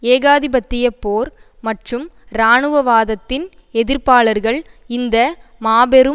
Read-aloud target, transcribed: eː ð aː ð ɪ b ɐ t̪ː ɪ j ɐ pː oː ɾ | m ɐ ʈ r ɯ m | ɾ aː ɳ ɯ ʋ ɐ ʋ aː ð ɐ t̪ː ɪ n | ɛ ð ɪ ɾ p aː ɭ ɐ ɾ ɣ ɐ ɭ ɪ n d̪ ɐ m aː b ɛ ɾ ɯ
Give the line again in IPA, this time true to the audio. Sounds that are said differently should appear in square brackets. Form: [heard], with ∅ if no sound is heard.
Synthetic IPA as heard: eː [ɣ] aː ð ɪ b ɐ t̪ː ɪ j ɐ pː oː ɾ | m ɐ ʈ r ɯ m | ɾ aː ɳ ɯ ʋ ɐ ʋ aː ð ɐ t̪ː ɪ n | ɛ ð ɪ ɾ p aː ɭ ɐ ɾ ɣ ɐ ɭ ɪ n d̪ ɐ m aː b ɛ ɾ ɯ

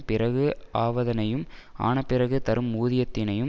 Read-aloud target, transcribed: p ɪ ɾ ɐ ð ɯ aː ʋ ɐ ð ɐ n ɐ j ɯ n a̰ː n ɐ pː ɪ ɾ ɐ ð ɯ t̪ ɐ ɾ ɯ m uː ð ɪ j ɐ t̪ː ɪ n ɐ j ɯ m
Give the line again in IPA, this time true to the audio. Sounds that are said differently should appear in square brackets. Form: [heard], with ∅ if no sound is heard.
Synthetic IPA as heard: p ɪ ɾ ɐ [ɣ] ɯ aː ʋ ɐ ð ɐ n ɐ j ɯ [m] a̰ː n ɐ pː ɪ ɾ ɐ [ɣ] ɯ t̪ ɐ ɾ ɯ m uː ð ɪ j ɐ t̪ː ɪ n ɐ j ɯ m

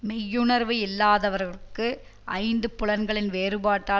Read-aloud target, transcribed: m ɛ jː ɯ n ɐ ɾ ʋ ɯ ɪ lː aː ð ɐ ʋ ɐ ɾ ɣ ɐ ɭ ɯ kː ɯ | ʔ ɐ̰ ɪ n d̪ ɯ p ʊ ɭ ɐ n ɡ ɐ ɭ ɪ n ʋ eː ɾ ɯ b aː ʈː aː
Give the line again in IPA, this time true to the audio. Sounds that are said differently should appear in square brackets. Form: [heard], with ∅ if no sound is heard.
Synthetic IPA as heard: m ɛ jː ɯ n ɐ ɾ ʋ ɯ ɪ lː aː ð ɐ ʋ ɐ ɾ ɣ ɐ ɭ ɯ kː ɯ | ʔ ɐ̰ ɪ n d̪ ɯ p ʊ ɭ ɐ n ɡ ɐ ɭ ɪ n ʋ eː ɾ ɯ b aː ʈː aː

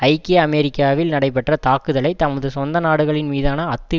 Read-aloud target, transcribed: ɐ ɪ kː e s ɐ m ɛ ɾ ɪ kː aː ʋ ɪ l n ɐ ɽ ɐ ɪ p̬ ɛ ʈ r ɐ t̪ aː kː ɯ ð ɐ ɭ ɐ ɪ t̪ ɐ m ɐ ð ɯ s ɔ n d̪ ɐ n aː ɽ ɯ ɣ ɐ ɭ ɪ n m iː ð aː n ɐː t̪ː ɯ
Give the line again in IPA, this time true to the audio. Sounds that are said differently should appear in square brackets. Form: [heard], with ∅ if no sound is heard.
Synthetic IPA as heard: ɐ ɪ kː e [∅] ɐ m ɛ ɾ ɪ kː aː ʋ ɪ l n ɐ ɽ ɐ ɪ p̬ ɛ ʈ r ɐ t̪ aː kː ɯ ð ɐ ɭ ɐ ɪ t̪ ɐ m ɐ ð ɯ s ɔ n d̪ ɐ n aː ɽ ɯ ɣ ɐ ɭ ɪ n m iː ð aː n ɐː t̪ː ɯ

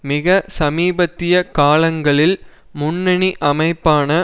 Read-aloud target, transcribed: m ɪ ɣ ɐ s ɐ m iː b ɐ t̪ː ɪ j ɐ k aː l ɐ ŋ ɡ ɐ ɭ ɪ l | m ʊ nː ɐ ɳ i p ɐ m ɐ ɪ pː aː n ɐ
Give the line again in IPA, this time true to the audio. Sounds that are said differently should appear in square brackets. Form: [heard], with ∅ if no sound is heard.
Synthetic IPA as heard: m ɪ ɣ ɐ s ɐ m iː b ɐ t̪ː ɪ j ɐ k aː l ɐ ŋ ɡ ɐ ɭ ɪ l | m ʊ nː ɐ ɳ i [ʔ] ɐ m ɐ ɪ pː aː n ɐ

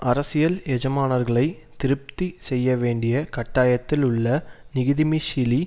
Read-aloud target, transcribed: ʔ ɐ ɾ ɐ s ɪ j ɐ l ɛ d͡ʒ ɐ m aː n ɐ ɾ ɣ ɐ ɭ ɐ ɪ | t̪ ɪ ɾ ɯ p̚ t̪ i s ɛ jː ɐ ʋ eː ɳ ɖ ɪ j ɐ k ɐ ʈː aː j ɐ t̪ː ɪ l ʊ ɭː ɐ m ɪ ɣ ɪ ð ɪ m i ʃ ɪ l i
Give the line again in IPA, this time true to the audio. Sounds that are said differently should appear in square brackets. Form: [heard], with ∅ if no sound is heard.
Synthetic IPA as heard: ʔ ɐ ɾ ɐ s ɪ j ɐ l ɛ d͡ʒ ɐ m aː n ɐ ɾ ɣ ɐ ɭ ɐ ɪ | t̪ ɪ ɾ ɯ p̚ t̪ i s ɛ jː ɐ ʋ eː ɳ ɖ ɪ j ɐ k ɐ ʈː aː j ɐ t̪ː ɪ l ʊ ɭː ɐ [n] ɪ ɣ ɪ ð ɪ m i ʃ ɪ l i

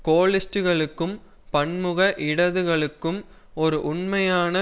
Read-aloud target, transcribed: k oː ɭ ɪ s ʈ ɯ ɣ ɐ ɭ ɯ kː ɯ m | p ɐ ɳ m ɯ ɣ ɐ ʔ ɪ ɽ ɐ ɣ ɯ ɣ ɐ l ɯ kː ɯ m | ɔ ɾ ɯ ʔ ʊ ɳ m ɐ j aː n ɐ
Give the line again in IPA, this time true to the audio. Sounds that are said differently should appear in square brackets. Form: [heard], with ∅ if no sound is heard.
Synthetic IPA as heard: k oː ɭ ɪ s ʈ ɯ ɣ ɐ ɭ ɯ kː ɯ m | p ɐ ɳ m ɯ ɣ ɐ ʔ ɪ ɽ ɐ [ð] ɯ ɣ ɐ [ɭ] ɯ kː ɯ m | ɔ ɾ ɯ ʔ ʊ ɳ m ɐ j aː n ɐ

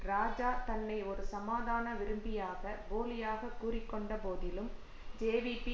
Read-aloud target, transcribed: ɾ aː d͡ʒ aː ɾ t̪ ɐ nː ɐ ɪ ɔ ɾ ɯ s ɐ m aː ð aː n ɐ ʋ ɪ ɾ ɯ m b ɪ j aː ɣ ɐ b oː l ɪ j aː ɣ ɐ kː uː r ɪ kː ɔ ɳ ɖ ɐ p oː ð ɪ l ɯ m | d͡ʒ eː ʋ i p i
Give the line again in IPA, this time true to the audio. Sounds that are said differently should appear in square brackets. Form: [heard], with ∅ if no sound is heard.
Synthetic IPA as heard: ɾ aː d͡ʒ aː ɾ t̪ ɐ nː ɐ ɪ ɔ ɾ ɯ s ɐ m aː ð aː n ɐ ʋ ɪ ɾ ɯ m b ɪ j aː ɣ ɐ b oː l ɪ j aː ɣ ɐ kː uː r ɪ kː ɔ ɳ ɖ ɐ p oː ð ɪ l ɯ m | d͡ʒ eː ʋ i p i

